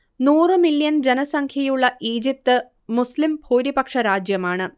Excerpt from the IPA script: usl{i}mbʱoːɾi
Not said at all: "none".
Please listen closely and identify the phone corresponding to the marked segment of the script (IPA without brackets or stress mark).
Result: i